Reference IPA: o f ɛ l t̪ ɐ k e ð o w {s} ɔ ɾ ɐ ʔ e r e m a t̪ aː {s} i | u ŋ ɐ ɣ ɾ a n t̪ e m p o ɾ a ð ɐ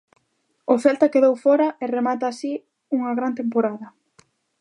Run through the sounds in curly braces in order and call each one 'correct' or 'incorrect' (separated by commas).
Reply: incorrect, correct